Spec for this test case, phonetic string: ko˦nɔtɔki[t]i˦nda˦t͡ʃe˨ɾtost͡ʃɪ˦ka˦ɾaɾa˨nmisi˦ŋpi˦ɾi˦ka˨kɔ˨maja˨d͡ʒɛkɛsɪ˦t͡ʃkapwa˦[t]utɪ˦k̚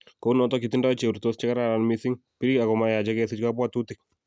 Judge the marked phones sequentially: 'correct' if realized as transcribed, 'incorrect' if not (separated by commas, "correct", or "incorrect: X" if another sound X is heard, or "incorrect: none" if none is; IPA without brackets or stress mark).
correct, correct